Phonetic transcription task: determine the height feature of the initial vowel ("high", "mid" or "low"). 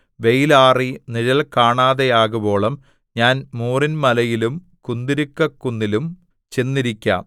mid